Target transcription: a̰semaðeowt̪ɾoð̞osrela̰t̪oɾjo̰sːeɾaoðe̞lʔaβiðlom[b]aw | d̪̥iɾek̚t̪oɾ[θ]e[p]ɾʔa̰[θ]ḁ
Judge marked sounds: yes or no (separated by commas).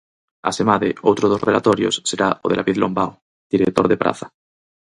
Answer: yes, no, yes, yes